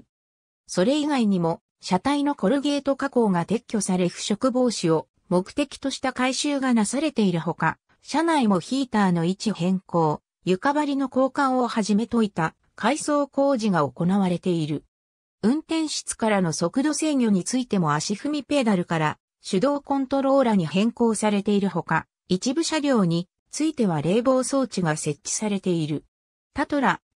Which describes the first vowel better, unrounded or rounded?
rounded